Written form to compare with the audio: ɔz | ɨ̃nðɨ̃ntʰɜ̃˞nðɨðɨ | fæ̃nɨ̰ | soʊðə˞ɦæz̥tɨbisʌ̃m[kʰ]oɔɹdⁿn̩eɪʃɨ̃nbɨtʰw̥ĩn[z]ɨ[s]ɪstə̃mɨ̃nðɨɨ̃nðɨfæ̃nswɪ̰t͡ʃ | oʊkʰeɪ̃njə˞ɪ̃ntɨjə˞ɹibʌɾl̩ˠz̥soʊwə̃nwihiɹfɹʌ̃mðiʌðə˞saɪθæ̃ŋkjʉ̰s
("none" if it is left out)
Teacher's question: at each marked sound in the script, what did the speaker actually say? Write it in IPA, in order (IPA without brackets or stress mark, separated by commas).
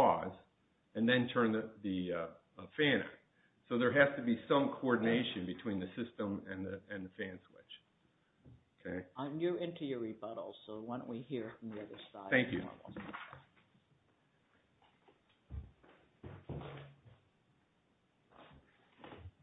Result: kʰ, ð, s